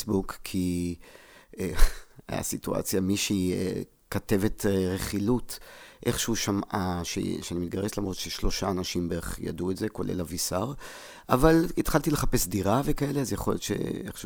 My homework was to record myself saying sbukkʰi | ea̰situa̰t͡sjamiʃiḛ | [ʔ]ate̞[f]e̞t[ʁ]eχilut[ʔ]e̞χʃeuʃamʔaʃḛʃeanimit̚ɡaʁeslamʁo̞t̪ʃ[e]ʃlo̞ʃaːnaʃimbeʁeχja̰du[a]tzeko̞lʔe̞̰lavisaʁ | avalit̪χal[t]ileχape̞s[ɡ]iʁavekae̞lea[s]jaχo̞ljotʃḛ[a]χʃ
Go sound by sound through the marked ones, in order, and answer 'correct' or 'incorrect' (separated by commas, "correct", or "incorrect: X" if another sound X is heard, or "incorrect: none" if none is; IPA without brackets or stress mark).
incorrect: k, incorrect: v, correct, correct, correct, incorrect: e, correct, incorrect: d, incorrect: z, incorrect: e